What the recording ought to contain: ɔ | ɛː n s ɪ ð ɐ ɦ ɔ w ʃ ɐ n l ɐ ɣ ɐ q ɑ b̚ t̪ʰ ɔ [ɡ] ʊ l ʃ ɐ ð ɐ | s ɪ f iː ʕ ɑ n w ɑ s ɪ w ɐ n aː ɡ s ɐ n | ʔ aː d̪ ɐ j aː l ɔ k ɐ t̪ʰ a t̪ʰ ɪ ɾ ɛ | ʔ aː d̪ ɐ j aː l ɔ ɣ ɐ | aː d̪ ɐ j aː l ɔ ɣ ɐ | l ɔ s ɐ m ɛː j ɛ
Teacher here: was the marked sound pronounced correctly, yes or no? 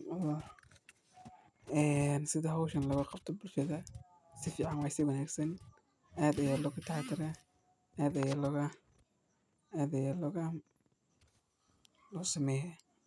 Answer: no